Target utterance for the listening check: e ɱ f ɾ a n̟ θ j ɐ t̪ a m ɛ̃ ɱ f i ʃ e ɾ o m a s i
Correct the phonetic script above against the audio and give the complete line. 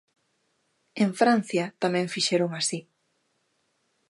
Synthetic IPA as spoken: e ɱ f ɾ a n̟ θ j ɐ t̪ a m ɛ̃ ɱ f i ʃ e ɾ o ŋ a s i